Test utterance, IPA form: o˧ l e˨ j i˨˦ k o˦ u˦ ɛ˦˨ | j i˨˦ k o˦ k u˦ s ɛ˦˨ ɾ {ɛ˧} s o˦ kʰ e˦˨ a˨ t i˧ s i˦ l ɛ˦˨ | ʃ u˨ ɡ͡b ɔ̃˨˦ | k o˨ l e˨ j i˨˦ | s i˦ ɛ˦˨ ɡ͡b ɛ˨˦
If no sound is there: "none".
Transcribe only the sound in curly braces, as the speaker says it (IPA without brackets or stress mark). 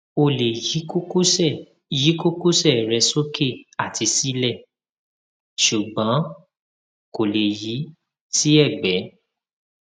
ɛ˧